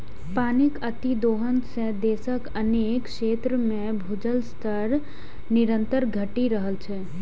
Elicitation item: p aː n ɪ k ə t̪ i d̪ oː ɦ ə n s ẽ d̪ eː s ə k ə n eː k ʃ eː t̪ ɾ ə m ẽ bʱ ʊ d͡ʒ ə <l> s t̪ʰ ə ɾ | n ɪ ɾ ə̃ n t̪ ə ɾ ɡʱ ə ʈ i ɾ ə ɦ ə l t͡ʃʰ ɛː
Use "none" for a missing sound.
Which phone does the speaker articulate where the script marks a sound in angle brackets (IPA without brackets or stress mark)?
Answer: l